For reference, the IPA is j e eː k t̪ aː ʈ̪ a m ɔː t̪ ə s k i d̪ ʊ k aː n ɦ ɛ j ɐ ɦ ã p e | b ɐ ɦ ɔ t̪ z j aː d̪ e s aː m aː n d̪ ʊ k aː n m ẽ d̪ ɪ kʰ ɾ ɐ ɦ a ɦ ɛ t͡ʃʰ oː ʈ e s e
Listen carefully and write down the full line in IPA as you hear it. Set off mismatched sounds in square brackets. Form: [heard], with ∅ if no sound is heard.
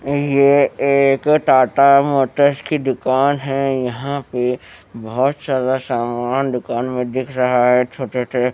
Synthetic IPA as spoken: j e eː k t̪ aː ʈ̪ a m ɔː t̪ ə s k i d̪ ʊ k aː n ɦ ɛ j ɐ ɦ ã p e | b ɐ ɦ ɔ t̪ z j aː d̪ [a] s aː m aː n d̪ ʊ k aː n m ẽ d̪ ɪ kʰ ɾ ɐ ɦ a ɦ ɛ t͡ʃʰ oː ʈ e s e